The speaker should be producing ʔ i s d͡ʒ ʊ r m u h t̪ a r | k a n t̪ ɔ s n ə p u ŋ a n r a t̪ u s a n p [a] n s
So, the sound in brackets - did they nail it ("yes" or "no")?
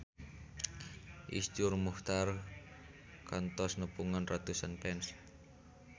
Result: no